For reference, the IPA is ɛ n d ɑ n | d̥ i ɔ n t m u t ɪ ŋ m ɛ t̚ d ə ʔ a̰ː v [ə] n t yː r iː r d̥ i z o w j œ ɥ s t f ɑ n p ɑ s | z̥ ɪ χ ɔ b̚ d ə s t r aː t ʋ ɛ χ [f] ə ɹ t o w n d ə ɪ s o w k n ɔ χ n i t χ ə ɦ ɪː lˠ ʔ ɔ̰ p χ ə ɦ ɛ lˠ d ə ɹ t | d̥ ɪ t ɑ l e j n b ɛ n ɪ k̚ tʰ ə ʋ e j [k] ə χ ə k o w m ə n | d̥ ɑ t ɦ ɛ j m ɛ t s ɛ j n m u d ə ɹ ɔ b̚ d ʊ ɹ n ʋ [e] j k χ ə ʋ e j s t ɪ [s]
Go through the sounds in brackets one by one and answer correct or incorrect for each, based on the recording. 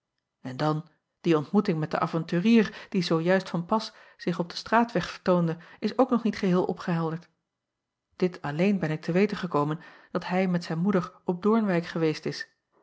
incorrect: ɑ, correct, incorrect: t, incorrect: ɛ, correct

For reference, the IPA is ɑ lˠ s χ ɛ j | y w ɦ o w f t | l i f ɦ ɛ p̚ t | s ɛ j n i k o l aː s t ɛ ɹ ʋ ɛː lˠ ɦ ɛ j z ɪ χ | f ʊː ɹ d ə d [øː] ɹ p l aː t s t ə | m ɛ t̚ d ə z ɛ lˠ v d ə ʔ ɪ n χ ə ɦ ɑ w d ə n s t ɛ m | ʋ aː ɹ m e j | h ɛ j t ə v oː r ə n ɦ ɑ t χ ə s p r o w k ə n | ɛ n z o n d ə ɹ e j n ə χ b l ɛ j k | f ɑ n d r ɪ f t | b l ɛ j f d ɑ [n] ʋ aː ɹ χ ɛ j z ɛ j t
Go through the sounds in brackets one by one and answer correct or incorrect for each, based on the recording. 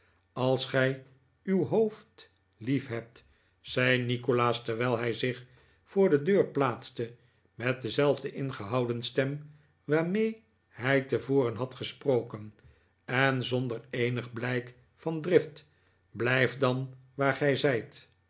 correct, correct

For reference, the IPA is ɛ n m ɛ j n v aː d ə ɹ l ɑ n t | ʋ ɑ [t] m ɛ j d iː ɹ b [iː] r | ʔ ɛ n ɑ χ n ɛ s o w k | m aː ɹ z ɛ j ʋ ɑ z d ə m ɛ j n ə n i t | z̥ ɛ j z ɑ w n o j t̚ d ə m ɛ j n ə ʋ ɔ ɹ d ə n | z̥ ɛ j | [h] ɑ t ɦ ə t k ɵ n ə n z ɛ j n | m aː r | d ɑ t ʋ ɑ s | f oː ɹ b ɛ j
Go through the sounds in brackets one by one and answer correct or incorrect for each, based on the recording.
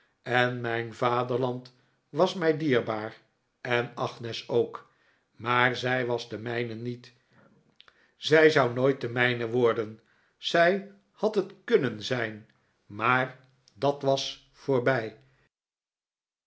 incorrect: s, incorrect: aː, correct

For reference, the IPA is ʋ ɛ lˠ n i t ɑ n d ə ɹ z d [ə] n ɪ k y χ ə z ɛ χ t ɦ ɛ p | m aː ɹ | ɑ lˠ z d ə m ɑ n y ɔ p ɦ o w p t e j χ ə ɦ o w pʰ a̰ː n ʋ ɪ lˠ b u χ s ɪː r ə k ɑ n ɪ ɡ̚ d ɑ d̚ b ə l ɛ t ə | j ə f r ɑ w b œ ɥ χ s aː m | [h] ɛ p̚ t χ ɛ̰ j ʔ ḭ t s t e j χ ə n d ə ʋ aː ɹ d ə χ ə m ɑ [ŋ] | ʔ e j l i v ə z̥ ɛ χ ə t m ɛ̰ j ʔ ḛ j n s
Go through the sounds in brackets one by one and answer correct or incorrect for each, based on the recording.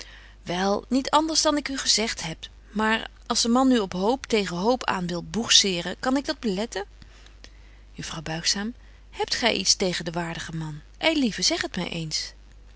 incorrect: ɑ, correct, incorrect: n

